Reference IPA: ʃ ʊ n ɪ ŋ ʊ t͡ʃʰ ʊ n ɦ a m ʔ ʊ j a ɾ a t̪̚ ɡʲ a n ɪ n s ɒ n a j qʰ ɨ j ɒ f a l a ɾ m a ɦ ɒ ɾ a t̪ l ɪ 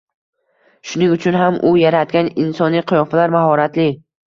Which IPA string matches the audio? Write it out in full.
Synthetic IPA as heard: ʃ ʊ n ɪ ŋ ʊ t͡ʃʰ ʊ n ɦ a m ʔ ʊ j a ɾ a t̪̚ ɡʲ a n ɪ n s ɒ n i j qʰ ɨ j ɒ f a l a ɾ m a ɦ ɒ ɾ a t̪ l ɪ